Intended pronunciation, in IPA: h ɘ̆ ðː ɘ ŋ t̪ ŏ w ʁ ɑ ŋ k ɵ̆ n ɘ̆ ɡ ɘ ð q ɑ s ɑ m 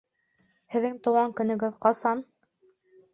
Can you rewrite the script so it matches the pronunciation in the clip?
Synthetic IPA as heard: h ɘ̆ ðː ɘ ŋ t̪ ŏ w ʁ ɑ ŋ k ɵ̆ n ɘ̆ ɡ ɘ ð q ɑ s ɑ n